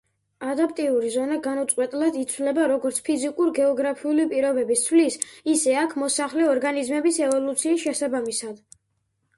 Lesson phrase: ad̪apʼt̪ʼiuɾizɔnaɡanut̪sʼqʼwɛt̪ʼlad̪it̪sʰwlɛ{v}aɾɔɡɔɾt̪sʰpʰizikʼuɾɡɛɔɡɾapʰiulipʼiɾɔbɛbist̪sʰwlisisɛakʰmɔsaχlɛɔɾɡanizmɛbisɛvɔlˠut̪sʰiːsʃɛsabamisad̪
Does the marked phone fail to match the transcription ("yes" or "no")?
yes